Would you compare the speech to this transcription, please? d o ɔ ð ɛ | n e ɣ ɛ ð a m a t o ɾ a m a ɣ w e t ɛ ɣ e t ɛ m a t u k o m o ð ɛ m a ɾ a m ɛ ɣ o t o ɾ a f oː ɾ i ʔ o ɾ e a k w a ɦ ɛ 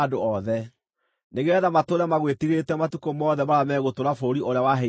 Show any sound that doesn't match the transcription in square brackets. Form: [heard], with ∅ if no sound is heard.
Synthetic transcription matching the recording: d o ɔ ð ɛ | n e ɣ ɛ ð a m a t o ɾ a m a ɣ w e t [i] ɣ e t ɛ m a t u k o m [ɔ] ð ɛ m a ɾ a m ɛ ɣ o t o ɾ a f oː ɾ i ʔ o ɾ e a [∅] w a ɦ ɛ